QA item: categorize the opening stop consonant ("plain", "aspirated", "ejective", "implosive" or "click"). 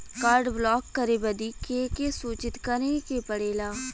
plain